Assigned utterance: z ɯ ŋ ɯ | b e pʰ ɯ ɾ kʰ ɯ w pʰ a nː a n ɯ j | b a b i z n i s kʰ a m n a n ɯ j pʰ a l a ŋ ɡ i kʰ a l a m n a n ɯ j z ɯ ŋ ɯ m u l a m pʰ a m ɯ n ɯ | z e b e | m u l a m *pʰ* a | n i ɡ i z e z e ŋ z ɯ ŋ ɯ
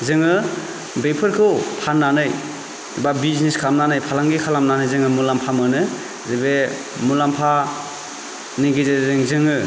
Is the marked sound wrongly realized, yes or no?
no